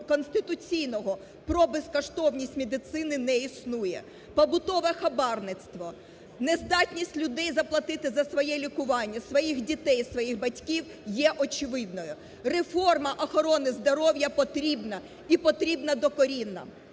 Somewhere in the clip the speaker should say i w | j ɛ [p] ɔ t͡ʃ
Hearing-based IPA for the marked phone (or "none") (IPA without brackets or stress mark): ʔ